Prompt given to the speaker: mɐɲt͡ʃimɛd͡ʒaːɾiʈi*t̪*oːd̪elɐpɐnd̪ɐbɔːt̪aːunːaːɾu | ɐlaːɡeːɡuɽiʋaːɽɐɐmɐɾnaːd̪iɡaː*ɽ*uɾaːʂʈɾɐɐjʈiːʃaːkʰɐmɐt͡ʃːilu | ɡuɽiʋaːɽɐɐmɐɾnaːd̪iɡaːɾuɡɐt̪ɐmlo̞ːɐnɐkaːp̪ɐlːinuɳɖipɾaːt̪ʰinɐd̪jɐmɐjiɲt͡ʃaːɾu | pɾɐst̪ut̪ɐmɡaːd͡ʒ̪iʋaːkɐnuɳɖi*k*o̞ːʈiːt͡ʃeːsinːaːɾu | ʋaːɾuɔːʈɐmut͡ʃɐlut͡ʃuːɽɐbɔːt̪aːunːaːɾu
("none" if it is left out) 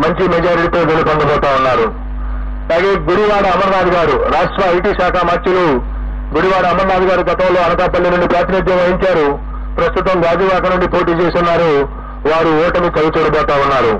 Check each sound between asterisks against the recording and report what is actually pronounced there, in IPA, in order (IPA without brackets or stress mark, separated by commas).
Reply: t̪, ɾ, p